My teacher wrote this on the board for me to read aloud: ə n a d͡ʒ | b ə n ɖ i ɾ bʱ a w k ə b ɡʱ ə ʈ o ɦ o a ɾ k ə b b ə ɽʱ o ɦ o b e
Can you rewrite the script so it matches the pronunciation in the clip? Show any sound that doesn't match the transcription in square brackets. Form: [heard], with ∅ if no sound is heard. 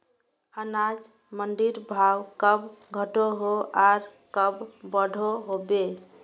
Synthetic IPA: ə n a d͡ʒ | [m] ə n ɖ i ɾ bʱ a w k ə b ɡʱ ə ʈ o ɦ o a ɾ k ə b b ə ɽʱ o ɦ o b e